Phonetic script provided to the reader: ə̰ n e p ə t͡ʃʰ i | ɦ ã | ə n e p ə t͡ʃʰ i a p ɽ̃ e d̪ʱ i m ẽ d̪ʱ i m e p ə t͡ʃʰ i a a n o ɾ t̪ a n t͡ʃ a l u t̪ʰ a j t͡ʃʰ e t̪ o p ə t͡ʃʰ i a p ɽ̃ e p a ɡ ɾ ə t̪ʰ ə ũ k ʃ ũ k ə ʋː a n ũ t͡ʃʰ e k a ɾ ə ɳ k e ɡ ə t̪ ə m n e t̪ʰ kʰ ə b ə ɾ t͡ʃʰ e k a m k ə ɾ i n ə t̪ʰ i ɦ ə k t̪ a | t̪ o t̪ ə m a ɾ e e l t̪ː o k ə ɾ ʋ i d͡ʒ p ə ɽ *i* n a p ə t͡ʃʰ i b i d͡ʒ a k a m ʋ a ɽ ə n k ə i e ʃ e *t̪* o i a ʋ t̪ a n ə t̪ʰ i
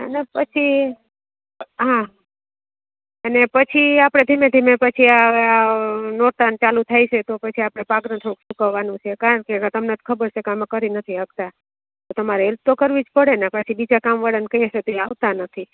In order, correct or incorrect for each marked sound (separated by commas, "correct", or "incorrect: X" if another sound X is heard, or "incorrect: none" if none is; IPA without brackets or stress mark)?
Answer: incorrect: e, correct